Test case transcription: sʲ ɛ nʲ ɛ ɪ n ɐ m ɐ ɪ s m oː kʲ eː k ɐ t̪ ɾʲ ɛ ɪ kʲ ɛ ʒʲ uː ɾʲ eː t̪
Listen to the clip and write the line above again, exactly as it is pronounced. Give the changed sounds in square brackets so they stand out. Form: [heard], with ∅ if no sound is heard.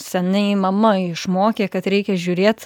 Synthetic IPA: sʲ ɛ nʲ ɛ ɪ [m] ɐ m ɐ ɪ [ʃ] m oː kʲ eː k ɐ t̪ ɾʲ ɛ ɪ kʲ ɛ ʒʲ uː ɾʲ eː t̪